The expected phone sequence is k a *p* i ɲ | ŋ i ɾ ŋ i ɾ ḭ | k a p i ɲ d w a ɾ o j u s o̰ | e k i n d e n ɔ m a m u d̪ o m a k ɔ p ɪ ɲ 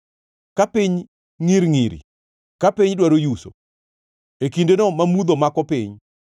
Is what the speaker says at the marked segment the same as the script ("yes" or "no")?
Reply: yes